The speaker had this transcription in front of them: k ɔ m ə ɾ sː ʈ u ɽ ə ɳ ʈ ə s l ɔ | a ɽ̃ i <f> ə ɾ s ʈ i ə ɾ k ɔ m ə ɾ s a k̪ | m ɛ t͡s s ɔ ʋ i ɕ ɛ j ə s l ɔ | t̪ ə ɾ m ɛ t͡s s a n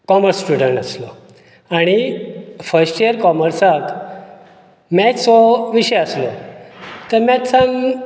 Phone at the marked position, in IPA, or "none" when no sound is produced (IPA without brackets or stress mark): f